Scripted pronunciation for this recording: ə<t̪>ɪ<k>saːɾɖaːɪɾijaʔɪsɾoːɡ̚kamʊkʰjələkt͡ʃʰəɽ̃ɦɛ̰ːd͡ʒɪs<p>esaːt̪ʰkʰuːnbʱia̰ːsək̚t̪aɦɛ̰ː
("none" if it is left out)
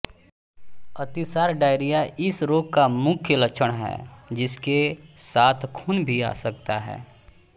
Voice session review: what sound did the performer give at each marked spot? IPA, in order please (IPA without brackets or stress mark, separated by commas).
t̪, none, k